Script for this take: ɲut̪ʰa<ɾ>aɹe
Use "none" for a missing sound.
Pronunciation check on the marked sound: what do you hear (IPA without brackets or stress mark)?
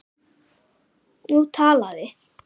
l